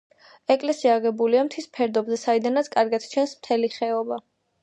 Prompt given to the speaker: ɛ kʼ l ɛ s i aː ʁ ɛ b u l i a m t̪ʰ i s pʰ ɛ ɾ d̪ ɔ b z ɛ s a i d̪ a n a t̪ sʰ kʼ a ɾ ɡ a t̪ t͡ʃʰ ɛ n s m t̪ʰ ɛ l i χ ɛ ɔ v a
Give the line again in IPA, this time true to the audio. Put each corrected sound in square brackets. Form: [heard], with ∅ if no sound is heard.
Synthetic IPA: ɛ kʼ l ɛ s i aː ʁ ɛ b u l i a m t̪ʰ i s pʰ ɛ ɾ d̪ ɔ b z ɛ s a i d̪ a n a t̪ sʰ kʼ a ɾ ɡ a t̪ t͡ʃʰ ɛ n s m t̪ʰ ɛ l i χ ɛ ɔ [b] a